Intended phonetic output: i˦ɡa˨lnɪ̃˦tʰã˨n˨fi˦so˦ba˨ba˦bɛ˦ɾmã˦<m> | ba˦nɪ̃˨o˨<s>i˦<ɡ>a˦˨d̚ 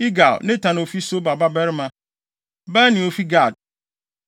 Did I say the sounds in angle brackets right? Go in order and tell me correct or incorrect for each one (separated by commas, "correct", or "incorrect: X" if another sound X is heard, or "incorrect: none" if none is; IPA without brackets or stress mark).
incorrect: none, incorrect: f, correct